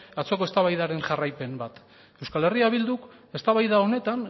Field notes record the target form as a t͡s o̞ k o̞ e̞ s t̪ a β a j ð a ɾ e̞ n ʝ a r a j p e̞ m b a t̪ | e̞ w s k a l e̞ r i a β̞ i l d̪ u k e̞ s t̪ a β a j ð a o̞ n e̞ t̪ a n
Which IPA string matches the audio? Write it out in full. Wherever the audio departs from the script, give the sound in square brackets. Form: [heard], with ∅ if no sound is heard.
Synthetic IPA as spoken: a t͡s o̞ k o̞ e̞ s t̪ a β a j ð a ɾ e̞ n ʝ a r a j p e̞ m b a t̪ | e̞ w s k a l e̞ r i a β̞ i l d̪ u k e̞ s t̪ a β a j ð a o̞ n e̞ t̪ a n